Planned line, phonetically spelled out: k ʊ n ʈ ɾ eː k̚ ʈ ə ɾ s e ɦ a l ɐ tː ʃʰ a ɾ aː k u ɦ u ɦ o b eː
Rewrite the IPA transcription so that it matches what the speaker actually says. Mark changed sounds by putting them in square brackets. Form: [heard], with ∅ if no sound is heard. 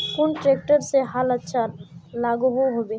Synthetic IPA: k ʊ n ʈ ɾ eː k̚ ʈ ə ɾ s e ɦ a l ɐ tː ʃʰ a [l] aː [ɡ] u ɦ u ɦ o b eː

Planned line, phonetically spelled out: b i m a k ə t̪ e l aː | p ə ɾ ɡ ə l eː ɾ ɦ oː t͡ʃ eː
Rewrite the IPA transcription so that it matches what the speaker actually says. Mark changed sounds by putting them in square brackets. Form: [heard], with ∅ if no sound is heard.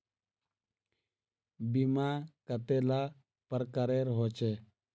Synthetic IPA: b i m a k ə t̪ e l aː | p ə ɾ [k] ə [ɾ] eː ɾ ɦ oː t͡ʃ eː

